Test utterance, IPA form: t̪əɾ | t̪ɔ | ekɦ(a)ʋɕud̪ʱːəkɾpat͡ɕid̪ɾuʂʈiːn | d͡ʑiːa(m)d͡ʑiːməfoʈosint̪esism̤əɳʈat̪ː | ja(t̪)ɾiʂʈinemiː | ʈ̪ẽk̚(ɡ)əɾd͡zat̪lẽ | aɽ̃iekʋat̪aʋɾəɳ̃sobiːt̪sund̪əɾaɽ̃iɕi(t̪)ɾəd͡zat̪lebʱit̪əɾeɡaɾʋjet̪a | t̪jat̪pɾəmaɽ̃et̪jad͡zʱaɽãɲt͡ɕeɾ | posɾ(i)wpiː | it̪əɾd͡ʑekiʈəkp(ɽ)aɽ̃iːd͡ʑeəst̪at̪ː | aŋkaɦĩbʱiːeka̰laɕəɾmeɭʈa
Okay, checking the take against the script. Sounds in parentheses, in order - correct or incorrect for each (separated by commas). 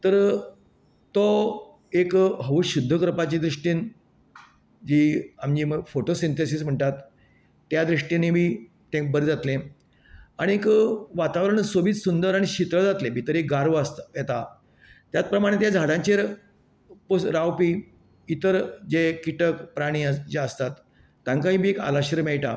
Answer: incorrect, correct, incorrect, incorrect, correct, incorrect, incorrect